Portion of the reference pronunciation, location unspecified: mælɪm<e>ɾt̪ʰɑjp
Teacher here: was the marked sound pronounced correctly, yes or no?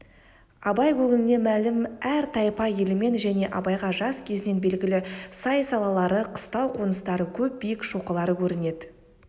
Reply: no